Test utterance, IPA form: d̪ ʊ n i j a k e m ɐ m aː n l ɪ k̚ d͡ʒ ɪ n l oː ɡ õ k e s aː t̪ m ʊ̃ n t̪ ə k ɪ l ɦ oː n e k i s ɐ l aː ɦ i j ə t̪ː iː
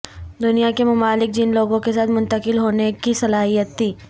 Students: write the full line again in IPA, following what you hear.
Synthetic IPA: d̪ ʊ n i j a k e m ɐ m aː l ɪ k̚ d͡ʒ ɪ n l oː ɡ õ k e s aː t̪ m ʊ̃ n t̪ ə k ɪ l ɦ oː n e k i s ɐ l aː ɦ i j ə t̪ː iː